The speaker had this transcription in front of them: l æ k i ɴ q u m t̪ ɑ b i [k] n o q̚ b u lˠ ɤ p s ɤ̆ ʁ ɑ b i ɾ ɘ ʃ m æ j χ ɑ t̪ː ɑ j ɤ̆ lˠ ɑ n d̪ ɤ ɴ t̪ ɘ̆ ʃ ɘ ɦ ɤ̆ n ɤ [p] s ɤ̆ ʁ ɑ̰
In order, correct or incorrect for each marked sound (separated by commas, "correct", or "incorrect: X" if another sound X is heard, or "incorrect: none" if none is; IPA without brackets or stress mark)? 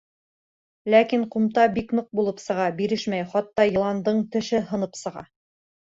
correct, correct